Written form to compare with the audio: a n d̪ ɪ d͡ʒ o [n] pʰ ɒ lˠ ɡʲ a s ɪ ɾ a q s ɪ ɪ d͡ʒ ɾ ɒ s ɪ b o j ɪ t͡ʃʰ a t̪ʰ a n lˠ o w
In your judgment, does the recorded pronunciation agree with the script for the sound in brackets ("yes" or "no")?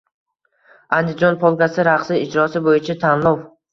yes